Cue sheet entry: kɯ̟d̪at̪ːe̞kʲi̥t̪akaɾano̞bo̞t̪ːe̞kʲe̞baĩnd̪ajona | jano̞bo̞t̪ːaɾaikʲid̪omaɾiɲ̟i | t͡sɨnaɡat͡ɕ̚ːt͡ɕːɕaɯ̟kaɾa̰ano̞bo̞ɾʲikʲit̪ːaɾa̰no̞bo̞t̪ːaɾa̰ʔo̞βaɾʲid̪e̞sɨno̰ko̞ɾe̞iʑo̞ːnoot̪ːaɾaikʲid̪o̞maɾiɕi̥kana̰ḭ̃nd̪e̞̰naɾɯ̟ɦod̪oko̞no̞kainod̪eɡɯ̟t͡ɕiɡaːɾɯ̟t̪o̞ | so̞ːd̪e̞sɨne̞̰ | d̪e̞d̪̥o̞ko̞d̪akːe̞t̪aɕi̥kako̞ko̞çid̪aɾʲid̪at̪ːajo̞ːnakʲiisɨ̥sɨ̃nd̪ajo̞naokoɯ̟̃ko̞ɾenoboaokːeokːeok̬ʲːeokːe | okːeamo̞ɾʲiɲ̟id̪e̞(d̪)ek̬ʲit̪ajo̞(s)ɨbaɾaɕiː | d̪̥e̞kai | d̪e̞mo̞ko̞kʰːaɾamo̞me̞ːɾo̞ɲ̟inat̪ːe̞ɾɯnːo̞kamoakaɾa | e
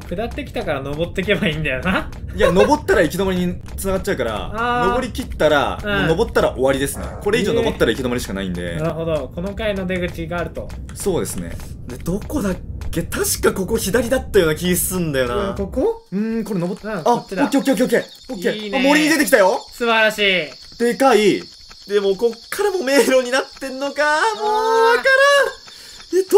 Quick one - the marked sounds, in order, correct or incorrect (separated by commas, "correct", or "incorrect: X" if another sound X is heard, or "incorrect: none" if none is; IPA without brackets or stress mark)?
incorrect: t̪, correct